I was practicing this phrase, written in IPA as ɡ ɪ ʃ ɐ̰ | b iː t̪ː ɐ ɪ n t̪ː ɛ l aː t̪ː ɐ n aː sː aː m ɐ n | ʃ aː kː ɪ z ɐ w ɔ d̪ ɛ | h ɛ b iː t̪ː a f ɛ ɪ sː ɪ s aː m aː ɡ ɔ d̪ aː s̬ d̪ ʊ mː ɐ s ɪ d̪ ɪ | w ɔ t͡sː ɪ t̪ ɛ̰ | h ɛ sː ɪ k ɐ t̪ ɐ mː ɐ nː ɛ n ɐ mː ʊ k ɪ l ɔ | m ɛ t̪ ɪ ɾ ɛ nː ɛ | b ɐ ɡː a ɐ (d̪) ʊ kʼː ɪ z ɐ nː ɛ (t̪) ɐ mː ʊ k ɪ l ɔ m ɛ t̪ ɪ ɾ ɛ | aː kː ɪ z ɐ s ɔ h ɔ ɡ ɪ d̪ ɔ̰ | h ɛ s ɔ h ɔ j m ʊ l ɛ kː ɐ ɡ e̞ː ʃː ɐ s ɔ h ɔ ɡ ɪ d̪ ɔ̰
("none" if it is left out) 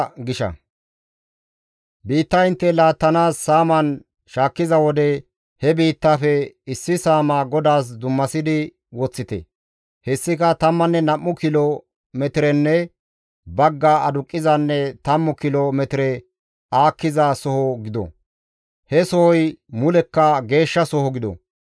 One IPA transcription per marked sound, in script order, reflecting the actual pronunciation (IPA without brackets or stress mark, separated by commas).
d̪, t̪